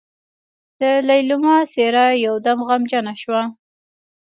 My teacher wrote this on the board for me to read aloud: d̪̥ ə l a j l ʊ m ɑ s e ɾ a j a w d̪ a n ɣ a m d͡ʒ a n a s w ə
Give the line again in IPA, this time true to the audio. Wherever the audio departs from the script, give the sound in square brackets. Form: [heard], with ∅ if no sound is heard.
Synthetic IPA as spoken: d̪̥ ə l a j l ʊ m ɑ s e ɾ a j a w d̪ a [m] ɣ a m d͡ʒ a n a [ʃ] w [a]